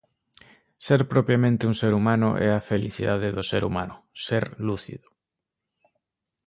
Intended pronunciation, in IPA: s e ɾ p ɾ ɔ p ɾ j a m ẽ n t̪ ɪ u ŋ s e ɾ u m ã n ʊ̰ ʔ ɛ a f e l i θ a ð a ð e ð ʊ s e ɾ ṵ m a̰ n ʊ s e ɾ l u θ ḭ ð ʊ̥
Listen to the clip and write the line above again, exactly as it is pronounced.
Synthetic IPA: s e ɾ p ɾ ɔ p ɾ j a m ẽ n t̪ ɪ u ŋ s e ɾ u m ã n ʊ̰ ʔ ɛ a f e l i θ i ð a ð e ð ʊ s e ɾ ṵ m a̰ n ʊ s e ɾ l u θ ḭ ð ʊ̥